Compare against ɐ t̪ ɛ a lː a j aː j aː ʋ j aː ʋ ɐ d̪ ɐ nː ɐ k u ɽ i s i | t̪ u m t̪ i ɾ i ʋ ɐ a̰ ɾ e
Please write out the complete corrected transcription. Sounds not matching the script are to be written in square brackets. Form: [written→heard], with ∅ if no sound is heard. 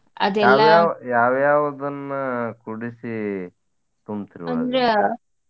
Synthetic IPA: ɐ [t̪→d̪] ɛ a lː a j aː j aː ʋ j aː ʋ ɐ d̪ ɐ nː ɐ k u ɽ i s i | t̪ u m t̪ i ɾ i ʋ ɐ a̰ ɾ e